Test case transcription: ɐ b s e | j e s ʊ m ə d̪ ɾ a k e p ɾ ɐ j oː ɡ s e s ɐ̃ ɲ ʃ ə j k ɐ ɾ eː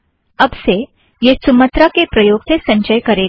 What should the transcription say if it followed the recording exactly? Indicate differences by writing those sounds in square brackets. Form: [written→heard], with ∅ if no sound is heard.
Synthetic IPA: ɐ b s e | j e s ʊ m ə [d̪→t̪] ɾ a k e p ɾ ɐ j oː ɡ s e s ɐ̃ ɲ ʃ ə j k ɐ ɾ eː